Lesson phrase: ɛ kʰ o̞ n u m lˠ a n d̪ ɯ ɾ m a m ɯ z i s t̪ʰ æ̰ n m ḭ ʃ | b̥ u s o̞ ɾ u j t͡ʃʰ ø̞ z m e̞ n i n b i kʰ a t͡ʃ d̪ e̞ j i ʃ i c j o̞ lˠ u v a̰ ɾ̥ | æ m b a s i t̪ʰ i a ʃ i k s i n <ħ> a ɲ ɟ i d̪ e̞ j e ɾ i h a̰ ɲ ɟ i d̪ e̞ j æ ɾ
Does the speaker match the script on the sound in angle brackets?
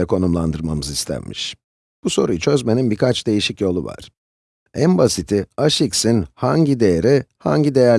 no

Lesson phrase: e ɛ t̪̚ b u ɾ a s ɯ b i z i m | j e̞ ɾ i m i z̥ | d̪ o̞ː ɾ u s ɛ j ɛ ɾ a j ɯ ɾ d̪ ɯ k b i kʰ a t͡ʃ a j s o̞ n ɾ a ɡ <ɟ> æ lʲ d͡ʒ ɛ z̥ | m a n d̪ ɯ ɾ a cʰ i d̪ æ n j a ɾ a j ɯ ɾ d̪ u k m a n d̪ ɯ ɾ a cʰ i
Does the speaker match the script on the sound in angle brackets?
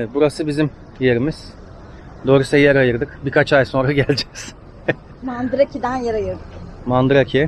yes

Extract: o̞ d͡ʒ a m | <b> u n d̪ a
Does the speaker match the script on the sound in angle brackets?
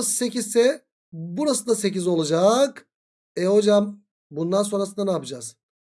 yes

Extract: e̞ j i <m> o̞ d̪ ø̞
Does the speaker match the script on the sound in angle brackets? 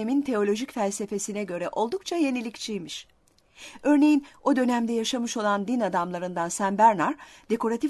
no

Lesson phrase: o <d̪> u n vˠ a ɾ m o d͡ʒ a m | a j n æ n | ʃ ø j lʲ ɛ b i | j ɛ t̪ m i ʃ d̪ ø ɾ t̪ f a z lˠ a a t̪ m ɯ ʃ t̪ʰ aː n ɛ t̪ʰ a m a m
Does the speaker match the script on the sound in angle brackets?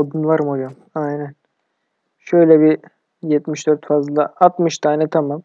yes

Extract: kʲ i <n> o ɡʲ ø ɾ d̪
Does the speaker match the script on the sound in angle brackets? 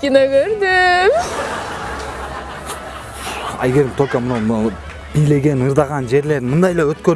yes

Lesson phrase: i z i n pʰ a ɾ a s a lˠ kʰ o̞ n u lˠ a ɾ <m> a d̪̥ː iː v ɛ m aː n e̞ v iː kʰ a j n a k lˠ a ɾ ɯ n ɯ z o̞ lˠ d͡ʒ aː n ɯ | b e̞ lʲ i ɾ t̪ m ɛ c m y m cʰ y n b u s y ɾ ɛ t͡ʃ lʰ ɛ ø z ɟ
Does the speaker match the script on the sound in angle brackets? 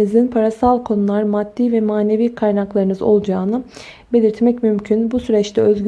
yes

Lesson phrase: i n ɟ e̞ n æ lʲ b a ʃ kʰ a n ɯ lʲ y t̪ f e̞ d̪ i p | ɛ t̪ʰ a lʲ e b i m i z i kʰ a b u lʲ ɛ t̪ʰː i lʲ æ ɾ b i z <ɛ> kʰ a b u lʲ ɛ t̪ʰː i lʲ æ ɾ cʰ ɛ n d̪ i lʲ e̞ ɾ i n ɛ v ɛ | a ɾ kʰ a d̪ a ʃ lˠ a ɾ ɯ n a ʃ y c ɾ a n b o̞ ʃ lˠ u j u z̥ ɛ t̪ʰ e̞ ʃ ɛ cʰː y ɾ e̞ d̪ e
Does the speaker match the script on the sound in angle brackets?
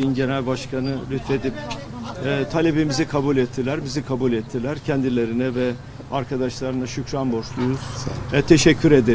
no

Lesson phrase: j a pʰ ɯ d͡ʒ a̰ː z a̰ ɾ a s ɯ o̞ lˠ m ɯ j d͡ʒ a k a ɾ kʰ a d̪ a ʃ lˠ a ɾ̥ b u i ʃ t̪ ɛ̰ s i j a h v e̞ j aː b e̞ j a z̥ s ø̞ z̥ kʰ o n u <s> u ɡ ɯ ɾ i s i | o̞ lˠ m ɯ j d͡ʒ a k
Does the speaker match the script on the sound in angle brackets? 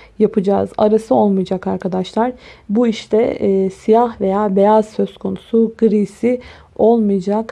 yes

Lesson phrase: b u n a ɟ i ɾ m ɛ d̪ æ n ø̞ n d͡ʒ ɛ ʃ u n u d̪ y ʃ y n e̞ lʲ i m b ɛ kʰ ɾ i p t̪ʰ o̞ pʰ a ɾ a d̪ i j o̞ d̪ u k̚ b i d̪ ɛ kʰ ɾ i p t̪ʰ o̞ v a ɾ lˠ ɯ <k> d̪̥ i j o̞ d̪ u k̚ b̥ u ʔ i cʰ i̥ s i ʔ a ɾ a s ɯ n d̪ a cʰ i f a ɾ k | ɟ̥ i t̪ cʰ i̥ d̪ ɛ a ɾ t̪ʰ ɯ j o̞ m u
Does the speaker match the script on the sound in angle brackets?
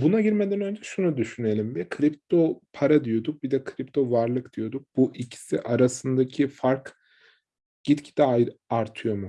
yes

